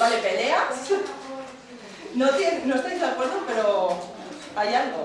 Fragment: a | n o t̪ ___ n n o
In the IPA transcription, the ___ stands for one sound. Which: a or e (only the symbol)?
e